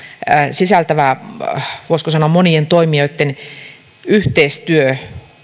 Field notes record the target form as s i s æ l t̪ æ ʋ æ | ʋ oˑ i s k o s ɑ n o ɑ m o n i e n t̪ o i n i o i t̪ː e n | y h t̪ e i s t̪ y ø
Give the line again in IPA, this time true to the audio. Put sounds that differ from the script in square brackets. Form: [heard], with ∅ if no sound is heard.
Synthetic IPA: s i s æ l t̪ æ ʋ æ | ʋ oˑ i s k o s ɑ n o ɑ m o n i e n t̪ o i [m] i o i t̪ː e n | y h t̪ e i s t̪ y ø

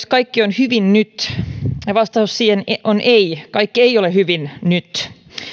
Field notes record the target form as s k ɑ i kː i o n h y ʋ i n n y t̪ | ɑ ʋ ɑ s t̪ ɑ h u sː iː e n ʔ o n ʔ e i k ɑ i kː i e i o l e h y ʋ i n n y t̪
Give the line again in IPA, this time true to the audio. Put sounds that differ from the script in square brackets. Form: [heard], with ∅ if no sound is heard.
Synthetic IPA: s k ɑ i kː i o n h y ʋ i n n y t̪ | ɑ ʋ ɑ s t̪ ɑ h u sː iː e n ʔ o n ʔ e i k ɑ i kː i e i o l e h y ʋ i n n y t̪

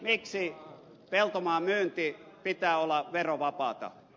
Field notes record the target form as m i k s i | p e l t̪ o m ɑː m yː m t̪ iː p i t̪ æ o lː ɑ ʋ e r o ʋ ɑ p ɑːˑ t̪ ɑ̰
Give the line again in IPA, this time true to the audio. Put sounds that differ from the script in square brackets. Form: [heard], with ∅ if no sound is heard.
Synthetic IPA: m i k s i | p e l t̪ o m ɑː m yː [n] t̪ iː p i t̪ [æː] o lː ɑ ʋ e r o ʋ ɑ p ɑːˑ t̪ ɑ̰

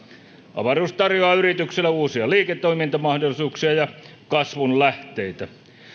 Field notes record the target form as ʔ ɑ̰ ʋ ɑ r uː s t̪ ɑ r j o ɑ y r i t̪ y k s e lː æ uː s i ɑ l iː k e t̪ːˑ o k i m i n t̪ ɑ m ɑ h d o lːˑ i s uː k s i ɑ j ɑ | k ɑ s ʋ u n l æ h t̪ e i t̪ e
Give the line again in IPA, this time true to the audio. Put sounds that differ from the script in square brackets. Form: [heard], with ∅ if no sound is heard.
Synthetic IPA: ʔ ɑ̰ ʋ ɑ r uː s t̪ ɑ r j o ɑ y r i t̪ y k s e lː æ uː s i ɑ l iː k e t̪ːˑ o [∅] i m i n t̪ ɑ m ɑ h d o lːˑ i s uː k s i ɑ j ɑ | k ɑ s ʋ u n l æ h t̪ e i t̪ [æ]

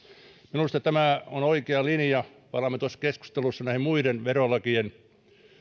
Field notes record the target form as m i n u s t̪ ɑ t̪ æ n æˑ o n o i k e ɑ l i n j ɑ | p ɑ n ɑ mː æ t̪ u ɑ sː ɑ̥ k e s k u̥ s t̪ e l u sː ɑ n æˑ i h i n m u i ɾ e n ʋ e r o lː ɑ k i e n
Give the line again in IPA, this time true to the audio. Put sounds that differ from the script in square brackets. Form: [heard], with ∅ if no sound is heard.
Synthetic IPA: m i n u s t̪ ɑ t̪ æ [m] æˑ o n o i k e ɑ l i n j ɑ | p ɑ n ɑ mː [e] t̪ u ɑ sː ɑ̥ k e s k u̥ s t̪ e l u sː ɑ n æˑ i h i [m] m u i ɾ e n ʋ e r o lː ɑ k i e n

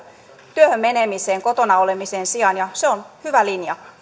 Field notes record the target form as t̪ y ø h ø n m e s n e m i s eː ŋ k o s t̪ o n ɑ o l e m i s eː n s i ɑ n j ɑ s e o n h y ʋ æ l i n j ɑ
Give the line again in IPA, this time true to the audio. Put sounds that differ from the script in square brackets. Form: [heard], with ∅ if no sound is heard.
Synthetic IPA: t̪ y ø h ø [m] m e [∅] n e m i s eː ŋ k o [∅] t̪ o n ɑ o l e m i s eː n s i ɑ n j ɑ s e o n h y ʋ æ l i n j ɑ

